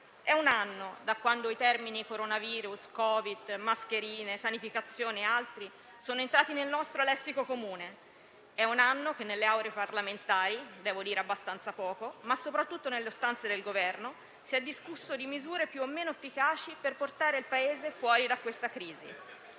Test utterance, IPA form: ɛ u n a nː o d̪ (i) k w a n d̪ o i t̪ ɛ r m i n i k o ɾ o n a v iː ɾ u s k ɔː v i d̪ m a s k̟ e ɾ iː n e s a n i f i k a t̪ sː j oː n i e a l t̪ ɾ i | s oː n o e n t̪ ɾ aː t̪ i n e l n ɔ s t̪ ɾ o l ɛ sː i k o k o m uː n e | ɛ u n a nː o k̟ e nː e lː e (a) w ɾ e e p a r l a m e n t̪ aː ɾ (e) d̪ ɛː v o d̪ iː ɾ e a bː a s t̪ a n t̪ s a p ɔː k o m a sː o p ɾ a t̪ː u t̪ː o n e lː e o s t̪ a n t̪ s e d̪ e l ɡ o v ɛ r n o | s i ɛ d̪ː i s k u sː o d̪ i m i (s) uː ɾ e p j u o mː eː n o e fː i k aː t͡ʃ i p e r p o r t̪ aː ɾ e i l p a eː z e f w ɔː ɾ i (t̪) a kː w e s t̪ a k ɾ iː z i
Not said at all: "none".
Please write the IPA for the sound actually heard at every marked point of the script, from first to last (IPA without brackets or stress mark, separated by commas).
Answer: a, a, i, z, d̪